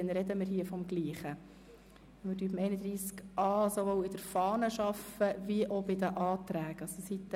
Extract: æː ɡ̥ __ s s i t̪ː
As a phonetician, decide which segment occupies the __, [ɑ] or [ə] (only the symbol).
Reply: ɑ